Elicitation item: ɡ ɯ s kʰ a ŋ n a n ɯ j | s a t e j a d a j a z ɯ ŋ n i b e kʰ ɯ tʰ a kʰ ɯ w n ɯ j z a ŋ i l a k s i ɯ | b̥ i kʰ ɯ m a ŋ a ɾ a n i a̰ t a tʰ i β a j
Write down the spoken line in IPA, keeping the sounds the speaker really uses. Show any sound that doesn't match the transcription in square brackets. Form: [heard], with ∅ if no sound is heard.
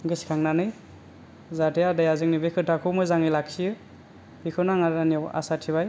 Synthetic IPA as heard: ɡ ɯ s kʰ a ŋ n a n ɯ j | [z] a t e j a d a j a z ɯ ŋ n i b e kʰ ɯ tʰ a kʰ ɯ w [m] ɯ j z a ŋ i l a k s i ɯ | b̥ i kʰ ɯ [n] a ŋ a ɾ a n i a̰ [s] a tʰ i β a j